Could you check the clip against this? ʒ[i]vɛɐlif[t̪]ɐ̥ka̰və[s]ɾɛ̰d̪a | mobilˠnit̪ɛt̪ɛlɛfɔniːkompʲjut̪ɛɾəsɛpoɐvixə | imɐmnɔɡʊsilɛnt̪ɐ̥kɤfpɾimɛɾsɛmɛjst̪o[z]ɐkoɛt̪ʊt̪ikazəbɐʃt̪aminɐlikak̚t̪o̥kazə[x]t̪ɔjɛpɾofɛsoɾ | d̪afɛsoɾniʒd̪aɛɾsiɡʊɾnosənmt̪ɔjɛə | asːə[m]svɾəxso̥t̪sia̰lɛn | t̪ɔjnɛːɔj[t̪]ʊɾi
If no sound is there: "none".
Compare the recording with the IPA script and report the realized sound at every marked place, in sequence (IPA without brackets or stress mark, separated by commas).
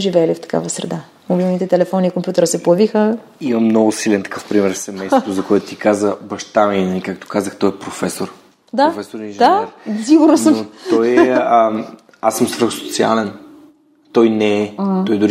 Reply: i, t̪, s, z, x, m, d̪